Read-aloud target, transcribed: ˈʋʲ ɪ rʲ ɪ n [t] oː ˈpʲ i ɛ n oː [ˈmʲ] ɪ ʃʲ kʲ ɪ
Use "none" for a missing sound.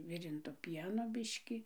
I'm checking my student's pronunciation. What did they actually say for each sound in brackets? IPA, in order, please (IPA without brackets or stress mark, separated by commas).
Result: t, bʲ